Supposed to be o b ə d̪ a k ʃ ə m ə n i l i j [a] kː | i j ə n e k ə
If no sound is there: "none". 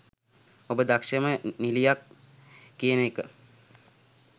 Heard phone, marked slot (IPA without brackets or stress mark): a